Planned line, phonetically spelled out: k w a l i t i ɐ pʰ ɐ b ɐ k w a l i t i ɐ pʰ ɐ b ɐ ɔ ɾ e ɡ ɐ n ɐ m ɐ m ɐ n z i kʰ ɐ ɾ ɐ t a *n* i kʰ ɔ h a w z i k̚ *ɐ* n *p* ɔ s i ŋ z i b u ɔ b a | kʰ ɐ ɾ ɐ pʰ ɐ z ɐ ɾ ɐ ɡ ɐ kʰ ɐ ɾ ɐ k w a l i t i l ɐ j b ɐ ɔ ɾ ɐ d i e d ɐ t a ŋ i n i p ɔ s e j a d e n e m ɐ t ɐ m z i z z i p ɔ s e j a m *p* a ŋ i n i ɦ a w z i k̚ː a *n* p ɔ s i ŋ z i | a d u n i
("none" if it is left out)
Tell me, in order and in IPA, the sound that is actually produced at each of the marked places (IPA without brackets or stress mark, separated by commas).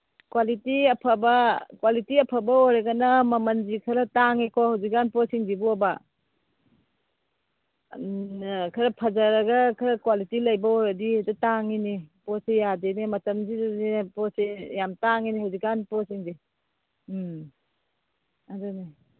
ŋ, a, p, t, n